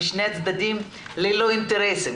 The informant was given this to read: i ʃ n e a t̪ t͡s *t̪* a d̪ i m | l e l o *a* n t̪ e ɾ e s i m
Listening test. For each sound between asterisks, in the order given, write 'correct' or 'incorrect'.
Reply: incorrect: d̪, incorrect: i

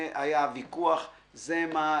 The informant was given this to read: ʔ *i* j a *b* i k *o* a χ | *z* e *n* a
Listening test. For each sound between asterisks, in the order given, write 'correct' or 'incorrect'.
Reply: incorrect: a, incorrect: v, incorrect: u, correct, incorrect: m

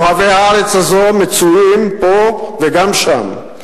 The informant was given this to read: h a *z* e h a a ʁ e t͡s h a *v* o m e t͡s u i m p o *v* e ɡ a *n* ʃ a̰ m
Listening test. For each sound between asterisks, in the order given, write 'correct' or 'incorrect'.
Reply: incorrect: v, incorrect: z, correct, incorrect: m

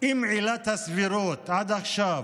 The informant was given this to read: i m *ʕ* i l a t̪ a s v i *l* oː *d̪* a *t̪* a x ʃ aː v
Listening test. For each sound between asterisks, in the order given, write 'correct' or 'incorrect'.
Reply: correct, incorrect: ɾ, incorrect: t̪, incorrect: d̪

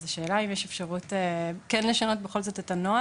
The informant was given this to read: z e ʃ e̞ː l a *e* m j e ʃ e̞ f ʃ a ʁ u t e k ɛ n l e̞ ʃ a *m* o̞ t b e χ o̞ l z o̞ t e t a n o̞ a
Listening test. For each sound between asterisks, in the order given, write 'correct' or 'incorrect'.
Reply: incorrect: i, incorrect: n

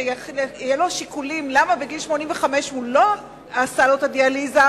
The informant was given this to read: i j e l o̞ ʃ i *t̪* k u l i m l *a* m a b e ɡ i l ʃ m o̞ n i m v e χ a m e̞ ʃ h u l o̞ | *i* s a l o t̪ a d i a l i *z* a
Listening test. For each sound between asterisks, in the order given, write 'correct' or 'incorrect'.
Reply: incorrect: none, correct, incorrect: a, correct

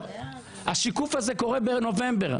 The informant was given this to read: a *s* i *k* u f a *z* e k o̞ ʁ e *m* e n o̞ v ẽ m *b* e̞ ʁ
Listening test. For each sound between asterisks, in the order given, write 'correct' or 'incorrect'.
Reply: incorrect: ʃ, correct, correct, incorrect: b, correct

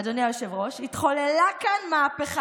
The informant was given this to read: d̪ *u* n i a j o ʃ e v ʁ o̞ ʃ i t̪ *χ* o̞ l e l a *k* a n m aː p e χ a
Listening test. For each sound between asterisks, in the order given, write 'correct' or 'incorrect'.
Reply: incorrect: o, correct, correct

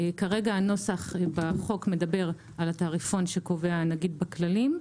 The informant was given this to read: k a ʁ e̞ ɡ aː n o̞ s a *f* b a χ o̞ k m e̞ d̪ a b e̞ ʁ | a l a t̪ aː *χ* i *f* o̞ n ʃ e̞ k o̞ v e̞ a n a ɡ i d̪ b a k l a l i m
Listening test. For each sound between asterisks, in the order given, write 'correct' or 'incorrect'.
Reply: incorrect: χ, incorrect: ʁ, correct

